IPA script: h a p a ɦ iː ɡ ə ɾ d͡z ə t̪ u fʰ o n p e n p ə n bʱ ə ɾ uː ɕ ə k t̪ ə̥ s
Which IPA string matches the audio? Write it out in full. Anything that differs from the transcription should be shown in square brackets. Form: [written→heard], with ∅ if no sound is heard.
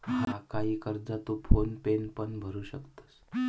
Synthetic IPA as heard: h a [p→k] a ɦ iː [ɡ→k] ə ɾ d͡z [ə→a] t̪ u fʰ o n p e n p ə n bʱ ə ɾ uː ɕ ə k t̪ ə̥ s

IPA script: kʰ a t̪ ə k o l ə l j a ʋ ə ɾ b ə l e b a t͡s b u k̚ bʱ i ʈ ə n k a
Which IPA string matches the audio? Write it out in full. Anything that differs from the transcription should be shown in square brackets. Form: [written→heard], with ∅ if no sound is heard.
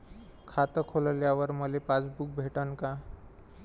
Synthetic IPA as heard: kʰ a t̪ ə [k→kʰ] o l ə l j a ʋ ə ɾ [b→m] ə l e [b→p] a t͡s b u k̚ bʱ [i→e] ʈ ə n k a

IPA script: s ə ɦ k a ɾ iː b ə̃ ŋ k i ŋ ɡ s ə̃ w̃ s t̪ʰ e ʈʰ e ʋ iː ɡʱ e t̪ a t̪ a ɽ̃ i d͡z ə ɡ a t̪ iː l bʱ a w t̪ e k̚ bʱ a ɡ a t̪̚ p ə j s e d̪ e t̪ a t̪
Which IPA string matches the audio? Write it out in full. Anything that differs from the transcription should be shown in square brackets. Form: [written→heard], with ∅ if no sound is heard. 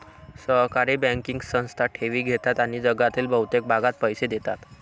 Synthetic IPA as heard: s ə ɦ k a ɾ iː b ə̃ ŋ k i ŋ ɡ s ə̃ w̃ s t̪ʰ [e→a] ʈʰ e ʋ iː ɡʱ e t̪ a t̪ a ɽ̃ i d͡z ə ɡ a t̪ iː l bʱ [a→ə] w t̪ e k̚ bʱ a ɡ a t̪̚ p ə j s e d̪ e t̪ a t̪

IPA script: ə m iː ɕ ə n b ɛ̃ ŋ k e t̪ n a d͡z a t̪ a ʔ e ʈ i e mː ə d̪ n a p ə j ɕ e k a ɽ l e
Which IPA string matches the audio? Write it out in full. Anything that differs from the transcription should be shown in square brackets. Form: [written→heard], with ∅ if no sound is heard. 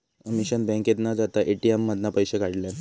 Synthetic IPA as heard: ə m [iː→i] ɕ ə n b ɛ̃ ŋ k e t̪ n a d͡z a t̪ a ʔ e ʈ i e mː ə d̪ n a p ə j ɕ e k a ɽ l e

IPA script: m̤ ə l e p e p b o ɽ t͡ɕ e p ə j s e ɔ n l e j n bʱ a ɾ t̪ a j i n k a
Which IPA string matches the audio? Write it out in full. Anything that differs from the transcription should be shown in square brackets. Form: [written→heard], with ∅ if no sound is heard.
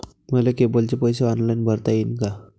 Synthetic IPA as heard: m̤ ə l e [p→k] e [p→∅] b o [ɽ→l] t͡ɕ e p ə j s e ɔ n l [e→a] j n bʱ [a→ə] ɾ t̪ a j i n k a

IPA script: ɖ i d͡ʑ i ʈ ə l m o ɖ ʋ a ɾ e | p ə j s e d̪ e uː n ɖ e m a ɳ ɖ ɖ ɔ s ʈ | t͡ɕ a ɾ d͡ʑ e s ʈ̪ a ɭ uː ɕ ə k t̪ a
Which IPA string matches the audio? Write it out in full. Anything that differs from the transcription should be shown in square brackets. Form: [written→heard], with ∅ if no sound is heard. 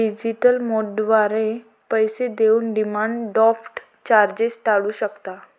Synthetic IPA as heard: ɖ i d͡ʑ i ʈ ə l m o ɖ ʋ a ɾ e | p ə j s e d̪ e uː n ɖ [e→i] m a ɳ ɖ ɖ ɔ [s→f] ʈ | t͡ɕ a ɾ d͡ʑ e s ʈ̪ a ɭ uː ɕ ə k t̪ a

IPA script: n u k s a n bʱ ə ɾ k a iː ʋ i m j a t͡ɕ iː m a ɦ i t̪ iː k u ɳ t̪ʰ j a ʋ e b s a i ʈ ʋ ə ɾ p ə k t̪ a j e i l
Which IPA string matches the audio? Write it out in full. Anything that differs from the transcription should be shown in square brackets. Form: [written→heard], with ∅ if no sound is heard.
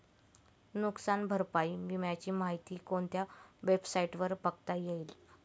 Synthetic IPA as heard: n u k s a n bʱ ə ɾ [k→p] a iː ʋ i m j a t͡ɕ iː m a ɦ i t̪ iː k [u→o] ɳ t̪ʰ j a ʋ e b s a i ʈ ʋ ə ɾ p ə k t̪ a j e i l

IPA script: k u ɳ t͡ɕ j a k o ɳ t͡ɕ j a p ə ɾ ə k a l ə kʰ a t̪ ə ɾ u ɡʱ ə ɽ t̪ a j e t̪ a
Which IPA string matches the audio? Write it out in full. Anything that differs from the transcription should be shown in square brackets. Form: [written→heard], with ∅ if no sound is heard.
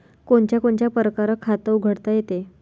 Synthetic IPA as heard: k [u→o] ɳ t͡ɕ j a k o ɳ t͡ɕ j a p ə ɾ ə k a [l→ɾ] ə kʰ a t̪ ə [ɾ→∅] u ɡʱ ə ɽ t̪ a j e t̪ [a→e]

